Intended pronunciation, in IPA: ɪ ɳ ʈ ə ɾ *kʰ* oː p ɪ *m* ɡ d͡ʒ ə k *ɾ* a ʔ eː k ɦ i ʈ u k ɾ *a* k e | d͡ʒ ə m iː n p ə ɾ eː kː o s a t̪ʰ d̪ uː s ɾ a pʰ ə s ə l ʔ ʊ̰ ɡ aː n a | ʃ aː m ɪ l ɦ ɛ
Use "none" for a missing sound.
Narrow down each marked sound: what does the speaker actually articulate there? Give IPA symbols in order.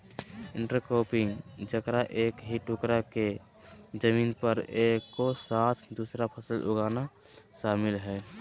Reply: k, ŋ, ɾ, a

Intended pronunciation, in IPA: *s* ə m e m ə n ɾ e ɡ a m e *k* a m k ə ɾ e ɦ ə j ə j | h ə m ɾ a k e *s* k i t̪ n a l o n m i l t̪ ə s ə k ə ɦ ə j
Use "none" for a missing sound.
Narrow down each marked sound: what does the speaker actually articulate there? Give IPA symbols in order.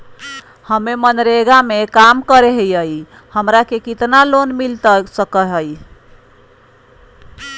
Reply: h, k, none

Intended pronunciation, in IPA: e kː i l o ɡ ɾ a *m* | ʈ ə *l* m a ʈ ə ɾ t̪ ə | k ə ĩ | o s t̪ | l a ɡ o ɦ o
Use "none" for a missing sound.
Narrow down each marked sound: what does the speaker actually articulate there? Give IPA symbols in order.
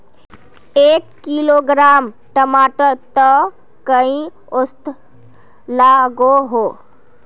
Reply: m, none

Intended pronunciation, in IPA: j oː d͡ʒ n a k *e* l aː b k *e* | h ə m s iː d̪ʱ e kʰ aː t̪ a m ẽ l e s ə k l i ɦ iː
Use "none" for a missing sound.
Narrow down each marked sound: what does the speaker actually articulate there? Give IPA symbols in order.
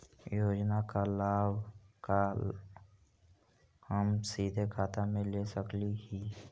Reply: a, a

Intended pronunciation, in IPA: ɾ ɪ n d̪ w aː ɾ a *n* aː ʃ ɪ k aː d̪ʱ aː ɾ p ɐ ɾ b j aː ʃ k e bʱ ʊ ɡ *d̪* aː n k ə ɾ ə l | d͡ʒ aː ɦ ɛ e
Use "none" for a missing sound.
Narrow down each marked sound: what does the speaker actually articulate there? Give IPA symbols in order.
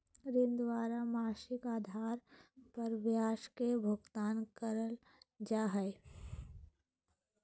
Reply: m, t̪

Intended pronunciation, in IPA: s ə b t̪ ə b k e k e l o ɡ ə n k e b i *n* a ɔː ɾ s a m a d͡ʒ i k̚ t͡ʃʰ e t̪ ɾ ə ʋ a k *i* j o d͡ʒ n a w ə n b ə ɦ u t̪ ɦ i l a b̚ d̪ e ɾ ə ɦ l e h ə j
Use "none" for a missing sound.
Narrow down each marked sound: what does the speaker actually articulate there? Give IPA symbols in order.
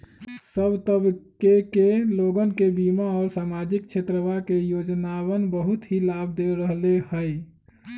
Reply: m, e

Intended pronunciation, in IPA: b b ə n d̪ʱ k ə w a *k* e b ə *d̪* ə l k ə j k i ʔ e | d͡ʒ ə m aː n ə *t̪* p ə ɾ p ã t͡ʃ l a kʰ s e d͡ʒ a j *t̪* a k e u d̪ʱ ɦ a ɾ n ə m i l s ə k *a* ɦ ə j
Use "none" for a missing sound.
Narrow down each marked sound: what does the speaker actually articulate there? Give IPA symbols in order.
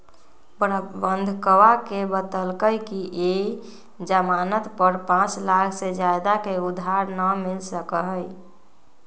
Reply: k, t̪, t̪, d̪, ə

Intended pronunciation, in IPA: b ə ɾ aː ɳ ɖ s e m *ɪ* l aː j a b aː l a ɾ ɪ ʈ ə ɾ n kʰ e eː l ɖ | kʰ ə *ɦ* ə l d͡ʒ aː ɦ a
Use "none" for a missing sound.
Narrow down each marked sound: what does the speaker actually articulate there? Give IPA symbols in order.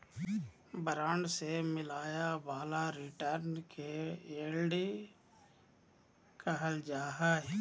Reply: ɪ, ɦ

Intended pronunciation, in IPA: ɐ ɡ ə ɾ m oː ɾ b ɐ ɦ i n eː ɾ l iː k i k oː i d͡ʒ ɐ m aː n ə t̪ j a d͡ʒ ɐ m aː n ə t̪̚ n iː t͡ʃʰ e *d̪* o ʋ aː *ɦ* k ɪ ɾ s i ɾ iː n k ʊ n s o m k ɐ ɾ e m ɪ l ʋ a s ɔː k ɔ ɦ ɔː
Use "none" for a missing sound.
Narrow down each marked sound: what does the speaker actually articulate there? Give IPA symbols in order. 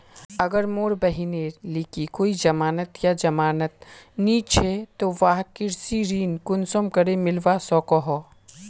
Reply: t̪, ɦ

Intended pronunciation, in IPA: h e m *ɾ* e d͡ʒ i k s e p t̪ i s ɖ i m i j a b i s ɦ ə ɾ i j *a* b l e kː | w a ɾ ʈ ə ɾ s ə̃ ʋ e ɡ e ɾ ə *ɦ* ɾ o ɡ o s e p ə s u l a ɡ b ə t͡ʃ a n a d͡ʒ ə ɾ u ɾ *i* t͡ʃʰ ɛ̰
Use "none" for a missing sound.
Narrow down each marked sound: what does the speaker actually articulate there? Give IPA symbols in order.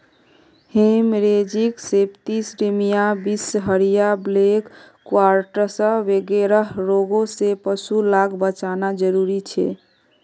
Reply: ɾ, a, ɦ, i

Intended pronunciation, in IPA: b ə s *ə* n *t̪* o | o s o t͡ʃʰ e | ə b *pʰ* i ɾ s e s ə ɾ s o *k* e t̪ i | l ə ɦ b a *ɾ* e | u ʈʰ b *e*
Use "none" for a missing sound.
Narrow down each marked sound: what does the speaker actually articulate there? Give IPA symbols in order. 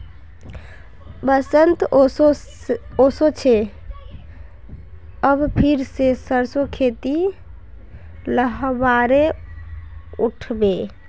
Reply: ə, t̪, pʰ, kʰ, ɾ, e

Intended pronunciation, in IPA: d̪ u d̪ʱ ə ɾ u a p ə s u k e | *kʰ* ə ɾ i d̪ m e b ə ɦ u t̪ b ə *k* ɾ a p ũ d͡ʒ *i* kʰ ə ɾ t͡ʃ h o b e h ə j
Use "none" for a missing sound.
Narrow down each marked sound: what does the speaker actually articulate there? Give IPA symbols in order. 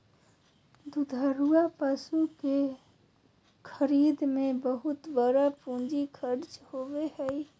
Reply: kʰ, none, i

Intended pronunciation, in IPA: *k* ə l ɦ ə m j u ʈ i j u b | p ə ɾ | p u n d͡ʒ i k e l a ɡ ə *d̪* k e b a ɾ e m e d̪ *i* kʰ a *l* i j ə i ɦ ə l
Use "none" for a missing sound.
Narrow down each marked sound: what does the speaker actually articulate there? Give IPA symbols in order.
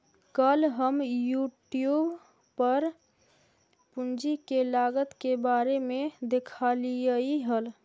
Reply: k, t̪, e, l

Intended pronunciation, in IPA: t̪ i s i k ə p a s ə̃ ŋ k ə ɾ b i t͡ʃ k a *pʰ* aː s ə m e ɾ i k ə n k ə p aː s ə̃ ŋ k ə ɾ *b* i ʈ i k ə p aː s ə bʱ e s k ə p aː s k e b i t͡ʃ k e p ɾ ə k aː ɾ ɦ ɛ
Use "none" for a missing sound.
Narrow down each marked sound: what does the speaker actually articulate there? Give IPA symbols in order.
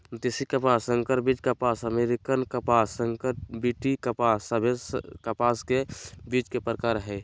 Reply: p, b

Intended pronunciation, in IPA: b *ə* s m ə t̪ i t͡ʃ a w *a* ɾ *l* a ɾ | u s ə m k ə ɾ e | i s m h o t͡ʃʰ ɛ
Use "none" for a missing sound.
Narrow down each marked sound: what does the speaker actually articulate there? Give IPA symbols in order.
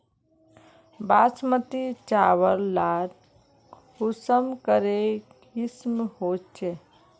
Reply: a, ə, l

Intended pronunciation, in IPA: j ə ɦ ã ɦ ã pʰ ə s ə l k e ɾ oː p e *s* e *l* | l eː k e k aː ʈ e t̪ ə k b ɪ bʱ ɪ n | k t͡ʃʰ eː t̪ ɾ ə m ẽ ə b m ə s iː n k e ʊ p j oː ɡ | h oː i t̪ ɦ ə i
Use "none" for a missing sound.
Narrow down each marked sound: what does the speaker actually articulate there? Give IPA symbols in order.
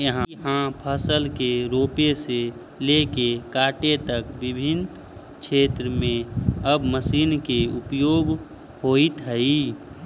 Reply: s, none

